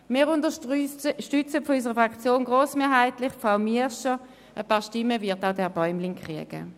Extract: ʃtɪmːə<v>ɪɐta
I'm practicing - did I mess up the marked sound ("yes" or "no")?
no